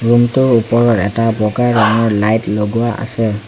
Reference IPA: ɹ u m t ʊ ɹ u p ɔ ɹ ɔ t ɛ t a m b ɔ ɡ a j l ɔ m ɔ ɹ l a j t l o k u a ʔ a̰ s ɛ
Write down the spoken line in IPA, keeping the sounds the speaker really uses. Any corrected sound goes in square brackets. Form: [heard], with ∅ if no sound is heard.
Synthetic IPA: ɹ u m t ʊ ɹ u p ɔ ɹ ɔ t ɛ t a [∅] b ɔ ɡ a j [ɹ] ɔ [ŋ] ɔ ɹ l a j t l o [ɡ] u a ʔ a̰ s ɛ